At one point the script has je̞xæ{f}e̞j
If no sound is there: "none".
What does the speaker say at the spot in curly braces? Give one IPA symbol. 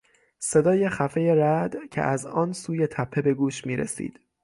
f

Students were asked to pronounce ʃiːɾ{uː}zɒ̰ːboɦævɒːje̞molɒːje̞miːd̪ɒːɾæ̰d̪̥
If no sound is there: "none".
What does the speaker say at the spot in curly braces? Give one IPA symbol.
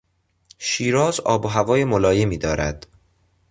ɒː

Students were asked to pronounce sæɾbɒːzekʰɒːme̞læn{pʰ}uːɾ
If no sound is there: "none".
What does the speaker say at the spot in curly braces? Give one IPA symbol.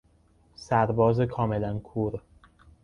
kʰ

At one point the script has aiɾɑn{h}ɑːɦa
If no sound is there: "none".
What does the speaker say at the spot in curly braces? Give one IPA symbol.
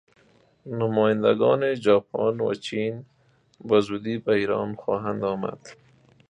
x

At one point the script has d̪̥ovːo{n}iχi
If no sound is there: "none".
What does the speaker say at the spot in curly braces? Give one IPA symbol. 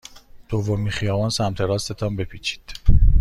m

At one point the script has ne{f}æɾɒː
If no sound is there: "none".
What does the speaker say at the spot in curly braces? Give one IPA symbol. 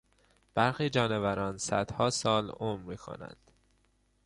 v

